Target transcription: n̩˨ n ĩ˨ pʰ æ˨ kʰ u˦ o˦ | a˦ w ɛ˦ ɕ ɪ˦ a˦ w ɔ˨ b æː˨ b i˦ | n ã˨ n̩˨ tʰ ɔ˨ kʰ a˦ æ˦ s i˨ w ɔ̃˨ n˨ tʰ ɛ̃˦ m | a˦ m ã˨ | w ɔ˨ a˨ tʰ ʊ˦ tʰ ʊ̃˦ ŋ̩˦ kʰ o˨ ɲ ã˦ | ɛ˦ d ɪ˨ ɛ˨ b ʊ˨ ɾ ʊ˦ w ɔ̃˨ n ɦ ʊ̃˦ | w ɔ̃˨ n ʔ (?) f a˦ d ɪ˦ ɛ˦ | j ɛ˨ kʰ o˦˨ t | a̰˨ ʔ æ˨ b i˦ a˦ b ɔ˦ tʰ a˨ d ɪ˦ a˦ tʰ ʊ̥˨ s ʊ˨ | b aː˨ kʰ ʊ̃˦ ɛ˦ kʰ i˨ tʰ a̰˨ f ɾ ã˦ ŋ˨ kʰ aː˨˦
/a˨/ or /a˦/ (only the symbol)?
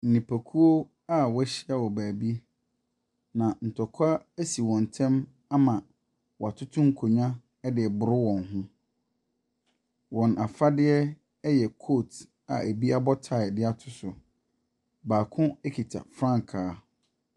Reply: a˨